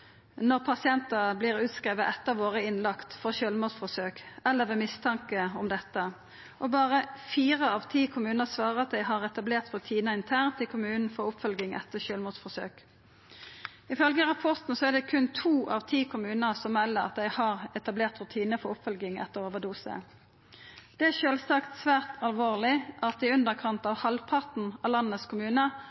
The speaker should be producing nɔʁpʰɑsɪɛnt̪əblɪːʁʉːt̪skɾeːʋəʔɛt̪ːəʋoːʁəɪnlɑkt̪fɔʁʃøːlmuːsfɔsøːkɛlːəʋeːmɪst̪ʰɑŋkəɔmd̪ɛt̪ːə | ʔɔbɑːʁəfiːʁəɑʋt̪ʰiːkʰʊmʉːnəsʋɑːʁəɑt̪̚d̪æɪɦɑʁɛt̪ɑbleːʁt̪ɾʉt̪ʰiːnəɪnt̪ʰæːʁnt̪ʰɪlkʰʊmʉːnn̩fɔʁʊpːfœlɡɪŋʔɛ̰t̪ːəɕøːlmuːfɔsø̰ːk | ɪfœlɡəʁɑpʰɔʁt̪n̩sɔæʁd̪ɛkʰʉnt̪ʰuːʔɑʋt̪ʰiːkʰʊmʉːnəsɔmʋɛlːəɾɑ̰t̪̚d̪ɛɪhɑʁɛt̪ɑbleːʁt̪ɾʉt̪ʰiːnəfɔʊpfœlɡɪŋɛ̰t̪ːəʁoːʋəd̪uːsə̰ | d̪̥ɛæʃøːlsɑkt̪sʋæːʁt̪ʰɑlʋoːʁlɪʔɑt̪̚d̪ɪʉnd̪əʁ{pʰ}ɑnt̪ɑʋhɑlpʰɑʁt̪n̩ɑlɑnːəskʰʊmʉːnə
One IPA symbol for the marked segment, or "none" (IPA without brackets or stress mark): kʰ